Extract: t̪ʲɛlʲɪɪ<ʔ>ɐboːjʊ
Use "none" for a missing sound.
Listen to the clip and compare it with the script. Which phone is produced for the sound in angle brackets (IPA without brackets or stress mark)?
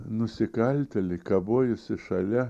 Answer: k